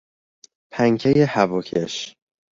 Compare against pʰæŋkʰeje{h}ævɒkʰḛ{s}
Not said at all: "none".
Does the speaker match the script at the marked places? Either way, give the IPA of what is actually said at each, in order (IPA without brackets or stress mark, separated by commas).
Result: h, ʃ